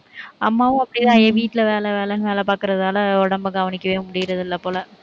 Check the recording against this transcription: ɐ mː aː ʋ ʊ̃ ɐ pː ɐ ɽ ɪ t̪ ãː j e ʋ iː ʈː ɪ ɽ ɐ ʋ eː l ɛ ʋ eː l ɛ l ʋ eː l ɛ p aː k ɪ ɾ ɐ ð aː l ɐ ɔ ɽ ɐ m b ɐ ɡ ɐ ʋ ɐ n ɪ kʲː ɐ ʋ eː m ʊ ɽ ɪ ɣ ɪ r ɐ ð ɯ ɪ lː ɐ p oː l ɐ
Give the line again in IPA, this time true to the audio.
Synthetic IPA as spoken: ɐ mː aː ʋ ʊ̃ ɐ pː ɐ ɽ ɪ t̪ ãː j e ʋ iː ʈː ɪ l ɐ ʋ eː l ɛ ʋ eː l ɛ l ʋ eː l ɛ p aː k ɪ ɾ ɐ ð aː l ɐ ɔ ɽ ɐ m b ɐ ɡ ɐ ʋ ɐ n ɪ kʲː ɐ ʋ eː m ʊ ɽ ɪ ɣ ɪ ɾ ɐ ð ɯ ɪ lː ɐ p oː l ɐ